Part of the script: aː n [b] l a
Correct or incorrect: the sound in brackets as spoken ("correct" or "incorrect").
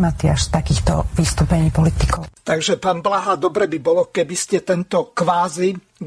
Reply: correct